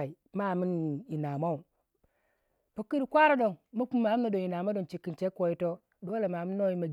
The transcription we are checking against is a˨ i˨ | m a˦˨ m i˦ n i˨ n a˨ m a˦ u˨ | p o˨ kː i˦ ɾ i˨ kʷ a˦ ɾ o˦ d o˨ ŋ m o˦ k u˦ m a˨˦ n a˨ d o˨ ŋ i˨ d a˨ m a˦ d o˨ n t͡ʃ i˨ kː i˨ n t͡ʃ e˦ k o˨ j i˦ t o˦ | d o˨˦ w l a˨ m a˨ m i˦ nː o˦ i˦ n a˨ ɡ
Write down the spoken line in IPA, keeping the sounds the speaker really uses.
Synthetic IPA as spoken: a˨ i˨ | m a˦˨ m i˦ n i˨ n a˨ m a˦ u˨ | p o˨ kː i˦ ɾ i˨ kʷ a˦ ɾ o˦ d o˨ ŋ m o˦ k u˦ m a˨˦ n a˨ d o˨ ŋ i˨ n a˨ m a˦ d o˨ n t͡ʃ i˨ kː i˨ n t͡ʃ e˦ k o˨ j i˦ t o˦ | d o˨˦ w l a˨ m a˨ m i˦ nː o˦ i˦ m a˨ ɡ